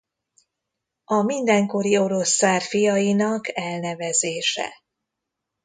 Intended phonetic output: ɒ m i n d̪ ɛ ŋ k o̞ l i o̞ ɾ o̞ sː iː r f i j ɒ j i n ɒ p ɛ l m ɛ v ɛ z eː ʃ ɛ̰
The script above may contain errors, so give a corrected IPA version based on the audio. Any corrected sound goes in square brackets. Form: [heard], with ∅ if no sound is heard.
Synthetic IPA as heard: ɒ m i n d̪ ɛ ŋ k o̞ [ɾ] i o̞ ɾ o̞ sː [aː] r f i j ɒ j i n ɒ [k] ɛ l [n] ɛ v ɛ z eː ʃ ɛ̰